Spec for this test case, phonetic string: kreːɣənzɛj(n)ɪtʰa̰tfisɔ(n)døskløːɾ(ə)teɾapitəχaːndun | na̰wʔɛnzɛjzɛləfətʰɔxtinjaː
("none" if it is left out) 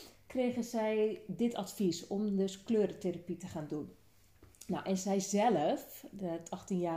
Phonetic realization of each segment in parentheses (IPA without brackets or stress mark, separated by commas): d, m, ə